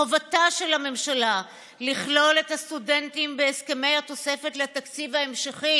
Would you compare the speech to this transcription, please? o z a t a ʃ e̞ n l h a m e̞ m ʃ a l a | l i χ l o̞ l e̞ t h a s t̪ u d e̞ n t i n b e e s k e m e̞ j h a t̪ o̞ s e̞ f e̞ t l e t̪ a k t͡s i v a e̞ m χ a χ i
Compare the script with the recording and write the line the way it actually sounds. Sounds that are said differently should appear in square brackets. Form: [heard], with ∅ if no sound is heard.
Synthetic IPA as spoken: o [v] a t a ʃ e̞ [∅] l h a m e̞ m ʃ a l a | l i χ l o̞ l e̞ t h a s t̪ u d e̞ n t i [m] b e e s k e m e̞ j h a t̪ o̞ s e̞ f e̞ t l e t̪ a k t͡s i v a e̞ m [ʃ] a χ i